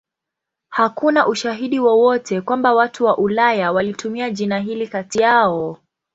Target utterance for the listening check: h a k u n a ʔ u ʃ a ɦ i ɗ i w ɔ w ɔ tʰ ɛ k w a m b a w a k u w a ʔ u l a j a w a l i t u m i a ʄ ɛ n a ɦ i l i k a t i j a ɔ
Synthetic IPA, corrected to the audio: h a k u n a ʔ u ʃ a ɦ i ɗ i w ɔ w ɔ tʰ ɛ k w a m b a w a t u w a ʔ u l a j a w a l i t u m i a ʄ i n a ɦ i l i k a t i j a ɔ